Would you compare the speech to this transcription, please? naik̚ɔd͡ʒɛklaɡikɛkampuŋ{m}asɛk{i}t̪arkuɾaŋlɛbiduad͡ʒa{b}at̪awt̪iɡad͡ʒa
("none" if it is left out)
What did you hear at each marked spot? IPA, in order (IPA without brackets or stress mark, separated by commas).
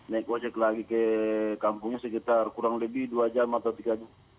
ɲ, i, m